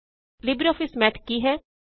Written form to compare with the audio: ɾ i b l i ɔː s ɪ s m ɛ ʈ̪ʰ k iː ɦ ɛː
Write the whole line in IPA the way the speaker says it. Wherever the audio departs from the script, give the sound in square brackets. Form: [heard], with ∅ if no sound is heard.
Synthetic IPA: [l] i b [ɾ] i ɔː [f] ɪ s m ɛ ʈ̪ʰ k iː ɦ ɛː